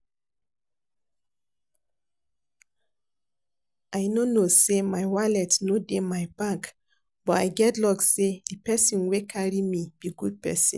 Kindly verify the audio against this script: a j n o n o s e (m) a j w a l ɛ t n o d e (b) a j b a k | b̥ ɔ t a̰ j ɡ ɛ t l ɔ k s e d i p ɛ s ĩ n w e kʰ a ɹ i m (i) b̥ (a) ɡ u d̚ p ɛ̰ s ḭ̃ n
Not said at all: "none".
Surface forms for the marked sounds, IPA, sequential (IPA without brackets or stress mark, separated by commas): m, m, i, i